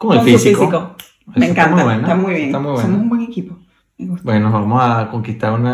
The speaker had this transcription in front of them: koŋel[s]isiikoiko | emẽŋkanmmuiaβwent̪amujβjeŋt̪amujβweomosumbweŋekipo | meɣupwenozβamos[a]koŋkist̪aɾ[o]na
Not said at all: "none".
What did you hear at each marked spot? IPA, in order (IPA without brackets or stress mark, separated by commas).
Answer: f, a, u